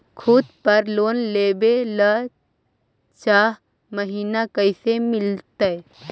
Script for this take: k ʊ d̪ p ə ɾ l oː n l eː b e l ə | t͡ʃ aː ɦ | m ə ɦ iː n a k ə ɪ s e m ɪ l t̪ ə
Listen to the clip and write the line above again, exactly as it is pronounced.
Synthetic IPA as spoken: kʰ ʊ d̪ p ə ɾ l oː n l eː b e l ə | t͡ʃ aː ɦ | m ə ɦ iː n a k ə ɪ s e m ɪ l t̪ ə